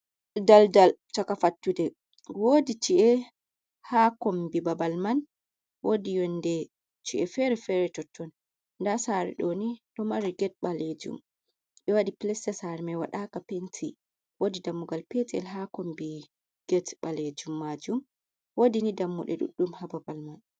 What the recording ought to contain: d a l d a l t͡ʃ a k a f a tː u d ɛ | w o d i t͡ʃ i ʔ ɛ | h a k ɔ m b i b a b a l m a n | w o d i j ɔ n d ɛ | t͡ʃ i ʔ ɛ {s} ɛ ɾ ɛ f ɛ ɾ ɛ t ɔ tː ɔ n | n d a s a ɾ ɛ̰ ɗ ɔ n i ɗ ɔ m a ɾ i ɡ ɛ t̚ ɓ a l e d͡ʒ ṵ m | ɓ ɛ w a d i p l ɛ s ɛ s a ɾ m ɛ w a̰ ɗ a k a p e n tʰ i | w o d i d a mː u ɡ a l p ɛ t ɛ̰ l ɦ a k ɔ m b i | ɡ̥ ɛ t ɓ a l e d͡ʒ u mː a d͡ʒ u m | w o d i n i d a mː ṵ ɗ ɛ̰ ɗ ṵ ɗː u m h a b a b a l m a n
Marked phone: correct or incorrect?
incorrect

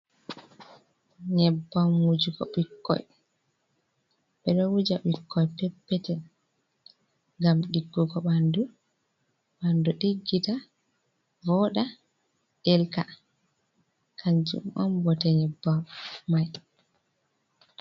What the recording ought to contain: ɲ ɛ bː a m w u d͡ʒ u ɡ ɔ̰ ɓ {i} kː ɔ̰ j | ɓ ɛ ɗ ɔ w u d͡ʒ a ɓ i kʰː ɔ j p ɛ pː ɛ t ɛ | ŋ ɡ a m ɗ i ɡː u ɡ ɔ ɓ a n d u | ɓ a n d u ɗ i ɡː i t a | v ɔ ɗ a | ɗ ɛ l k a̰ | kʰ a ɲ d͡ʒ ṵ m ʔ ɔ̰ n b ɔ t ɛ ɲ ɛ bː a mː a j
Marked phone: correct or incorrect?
correct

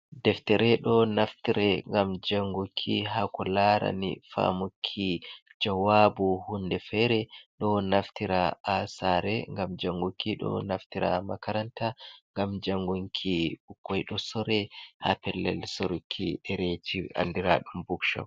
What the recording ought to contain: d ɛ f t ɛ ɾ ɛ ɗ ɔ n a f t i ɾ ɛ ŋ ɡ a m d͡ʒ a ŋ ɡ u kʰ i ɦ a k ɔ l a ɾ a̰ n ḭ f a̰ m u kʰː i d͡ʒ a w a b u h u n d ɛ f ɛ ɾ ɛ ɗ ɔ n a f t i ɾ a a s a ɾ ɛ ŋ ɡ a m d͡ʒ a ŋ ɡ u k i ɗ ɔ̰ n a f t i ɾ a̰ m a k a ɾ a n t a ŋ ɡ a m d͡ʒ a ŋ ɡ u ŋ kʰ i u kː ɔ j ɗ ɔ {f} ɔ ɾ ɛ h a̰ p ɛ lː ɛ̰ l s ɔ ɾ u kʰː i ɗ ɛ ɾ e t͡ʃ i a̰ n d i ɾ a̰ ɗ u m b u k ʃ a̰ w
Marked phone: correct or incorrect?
incorrect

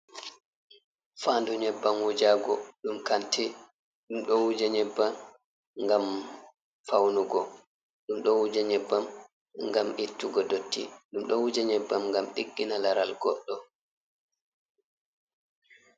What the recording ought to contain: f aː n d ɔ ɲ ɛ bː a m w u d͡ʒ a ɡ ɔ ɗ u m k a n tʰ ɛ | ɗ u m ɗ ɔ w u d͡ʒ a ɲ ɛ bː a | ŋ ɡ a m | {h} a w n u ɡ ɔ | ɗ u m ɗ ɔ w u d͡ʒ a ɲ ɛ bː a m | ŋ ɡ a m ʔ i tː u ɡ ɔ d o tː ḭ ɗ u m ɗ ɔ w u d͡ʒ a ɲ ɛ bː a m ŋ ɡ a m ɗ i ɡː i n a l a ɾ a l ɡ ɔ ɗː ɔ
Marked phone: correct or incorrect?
incorrect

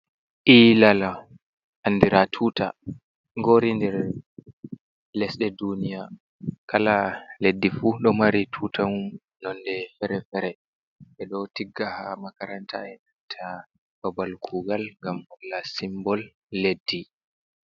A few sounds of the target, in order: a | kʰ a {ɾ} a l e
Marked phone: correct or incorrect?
incorrect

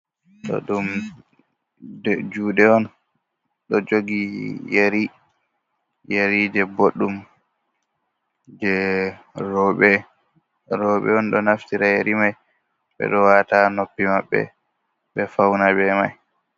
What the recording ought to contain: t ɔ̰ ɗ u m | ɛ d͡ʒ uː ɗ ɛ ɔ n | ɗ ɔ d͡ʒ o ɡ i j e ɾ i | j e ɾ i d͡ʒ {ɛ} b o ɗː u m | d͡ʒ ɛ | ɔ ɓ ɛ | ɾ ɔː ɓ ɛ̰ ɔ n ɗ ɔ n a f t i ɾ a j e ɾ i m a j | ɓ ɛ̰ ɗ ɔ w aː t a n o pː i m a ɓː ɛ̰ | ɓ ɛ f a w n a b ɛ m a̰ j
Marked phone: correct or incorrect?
correct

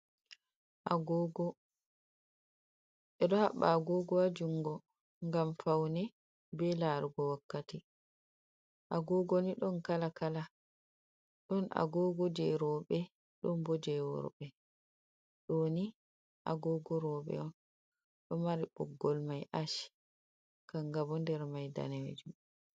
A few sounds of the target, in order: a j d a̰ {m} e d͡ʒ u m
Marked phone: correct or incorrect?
incorrect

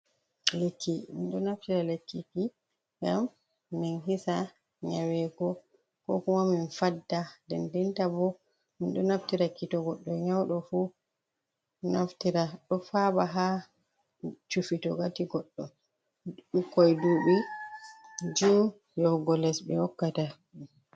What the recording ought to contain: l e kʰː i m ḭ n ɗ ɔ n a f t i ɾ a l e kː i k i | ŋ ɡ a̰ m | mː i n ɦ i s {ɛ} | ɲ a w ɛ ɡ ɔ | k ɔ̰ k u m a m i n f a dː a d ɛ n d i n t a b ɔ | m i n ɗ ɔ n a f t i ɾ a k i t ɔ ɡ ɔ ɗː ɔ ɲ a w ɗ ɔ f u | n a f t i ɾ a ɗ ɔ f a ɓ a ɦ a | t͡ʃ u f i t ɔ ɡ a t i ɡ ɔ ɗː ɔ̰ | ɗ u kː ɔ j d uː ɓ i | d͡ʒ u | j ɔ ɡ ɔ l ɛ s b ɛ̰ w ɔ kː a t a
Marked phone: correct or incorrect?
incorrect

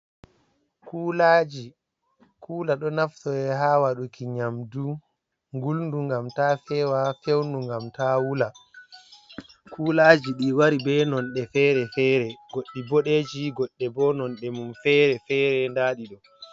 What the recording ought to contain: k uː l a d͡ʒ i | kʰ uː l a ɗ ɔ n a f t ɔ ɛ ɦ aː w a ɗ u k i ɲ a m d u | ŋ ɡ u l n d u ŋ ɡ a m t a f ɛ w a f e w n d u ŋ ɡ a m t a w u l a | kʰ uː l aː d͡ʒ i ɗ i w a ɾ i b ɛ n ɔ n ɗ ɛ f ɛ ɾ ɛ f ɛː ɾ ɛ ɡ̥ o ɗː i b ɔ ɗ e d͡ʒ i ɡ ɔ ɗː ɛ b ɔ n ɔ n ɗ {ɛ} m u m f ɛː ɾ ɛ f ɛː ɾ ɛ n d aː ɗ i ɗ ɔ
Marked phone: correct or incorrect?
correct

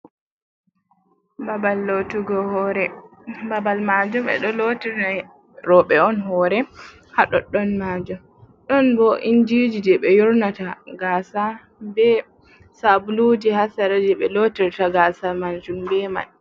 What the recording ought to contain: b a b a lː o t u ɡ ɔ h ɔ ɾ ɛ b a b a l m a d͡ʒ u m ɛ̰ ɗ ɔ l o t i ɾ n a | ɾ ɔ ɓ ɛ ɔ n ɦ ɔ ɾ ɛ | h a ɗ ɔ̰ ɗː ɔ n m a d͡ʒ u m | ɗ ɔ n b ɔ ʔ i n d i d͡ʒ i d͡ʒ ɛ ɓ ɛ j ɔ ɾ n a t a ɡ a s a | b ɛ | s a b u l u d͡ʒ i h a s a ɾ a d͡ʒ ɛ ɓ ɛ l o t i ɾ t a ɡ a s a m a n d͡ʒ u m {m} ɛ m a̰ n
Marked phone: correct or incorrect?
incorrect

